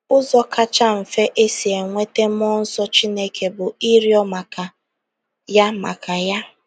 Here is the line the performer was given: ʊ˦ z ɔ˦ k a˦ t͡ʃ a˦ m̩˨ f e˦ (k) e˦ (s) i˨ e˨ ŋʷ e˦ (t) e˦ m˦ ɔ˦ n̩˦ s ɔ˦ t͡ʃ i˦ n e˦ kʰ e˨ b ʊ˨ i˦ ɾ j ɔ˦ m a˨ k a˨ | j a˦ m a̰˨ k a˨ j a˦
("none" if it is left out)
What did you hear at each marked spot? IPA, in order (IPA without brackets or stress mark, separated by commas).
ʔ, s, t